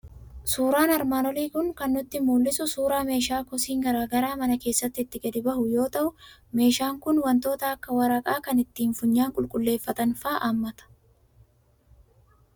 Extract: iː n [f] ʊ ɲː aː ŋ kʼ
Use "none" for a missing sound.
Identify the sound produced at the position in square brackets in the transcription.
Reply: f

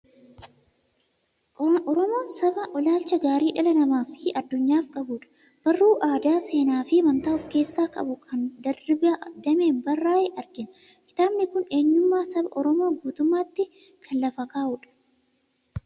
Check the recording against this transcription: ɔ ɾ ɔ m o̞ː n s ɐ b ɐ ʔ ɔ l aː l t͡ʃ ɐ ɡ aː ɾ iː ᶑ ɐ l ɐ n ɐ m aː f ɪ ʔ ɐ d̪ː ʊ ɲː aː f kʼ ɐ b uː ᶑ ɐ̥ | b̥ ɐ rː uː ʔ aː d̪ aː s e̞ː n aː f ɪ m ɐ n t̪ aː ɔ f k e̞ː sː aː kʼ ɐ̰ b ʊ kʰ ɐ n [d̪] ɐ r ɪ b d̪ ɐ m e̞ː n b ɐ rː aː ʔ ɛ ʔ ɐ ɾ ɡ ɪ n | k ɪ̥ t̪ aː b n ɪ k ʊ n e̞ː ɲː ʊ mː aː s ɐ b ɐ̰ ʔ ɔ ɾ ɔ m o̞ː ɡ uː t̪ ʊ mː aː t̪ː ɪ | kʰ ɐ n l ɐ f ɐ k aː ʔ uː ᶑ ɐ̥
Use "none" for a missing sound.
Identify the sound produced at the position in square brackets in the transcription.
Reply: d̪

